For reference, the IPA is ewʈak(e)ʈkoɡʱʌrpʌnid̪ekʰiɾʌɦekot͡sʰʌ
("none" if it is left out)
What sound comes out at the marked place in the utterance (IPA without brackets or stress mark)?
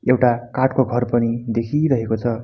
a